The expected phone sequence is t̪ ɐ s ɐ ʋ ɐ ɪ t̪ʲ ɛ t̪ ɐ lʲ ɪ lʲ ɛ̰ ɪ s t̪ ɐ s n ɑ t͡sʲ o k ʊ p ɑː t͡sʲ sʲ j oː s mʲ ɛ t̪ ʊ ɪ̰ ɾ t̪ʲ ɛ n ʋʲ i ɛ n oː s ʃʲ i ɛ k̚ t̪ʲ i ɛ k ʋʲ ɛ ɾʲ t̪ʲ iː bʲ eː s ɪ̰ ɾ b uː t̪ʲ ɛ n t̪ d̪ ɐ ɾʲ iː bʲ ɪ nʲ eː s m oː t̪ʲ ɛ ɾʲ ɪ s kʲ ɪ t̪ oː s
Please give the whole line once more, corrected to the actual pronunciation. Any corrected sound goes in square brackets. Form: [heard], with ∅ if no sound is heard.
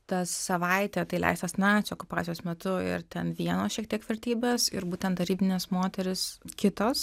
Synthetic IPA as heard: t̪ ɐ s ɐ ʋ ɐ ɪ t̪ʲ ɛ t̪ ɐ [∅] ɪ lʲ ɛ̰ ɪ s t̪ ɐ s n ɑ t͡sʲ o k ʊ p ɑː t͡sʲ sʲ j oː s mʲ ɛ t̪ ʊ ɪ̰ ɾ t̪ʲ ɛ n ʋʲ i ɛ n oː s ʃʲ i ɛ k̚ t̪ʲ i ɛ k ʋʲ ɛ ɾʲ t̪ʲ iː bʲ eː s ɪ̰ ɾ b uː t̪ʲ ɛ n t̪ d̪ ɐ ɾʲ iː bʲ ɪ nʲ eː s m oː t̪ʲ ɛ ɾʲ ɪ s kʲ ɪ t̪ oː s